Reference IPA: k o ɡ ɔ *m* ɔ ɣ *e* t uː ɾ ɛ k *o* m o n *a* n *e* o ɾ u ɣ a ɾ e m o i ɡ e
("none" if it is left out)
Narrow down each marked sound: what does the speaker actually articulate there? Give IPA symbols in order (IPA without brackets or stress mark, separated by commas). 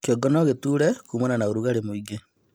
n, e, u, a, a